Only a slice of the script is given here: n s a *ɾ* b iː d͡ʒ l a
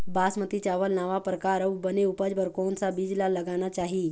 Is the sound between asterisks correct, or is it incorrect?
incorrect